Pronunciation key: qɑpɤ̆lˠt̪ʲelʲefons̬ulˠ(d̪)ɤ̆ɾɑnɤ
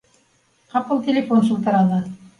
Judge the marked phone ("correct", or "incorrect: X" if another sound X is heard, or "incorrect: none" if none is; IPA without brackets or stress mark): incorrect: t̪